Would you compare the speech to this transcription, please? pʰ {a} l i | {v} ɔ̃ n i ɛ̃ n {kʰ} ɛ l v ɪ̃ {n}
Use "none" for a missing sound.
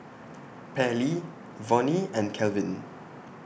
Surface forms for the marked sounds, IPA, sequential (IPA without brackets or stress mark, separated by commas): ɛ, v, kʰ, n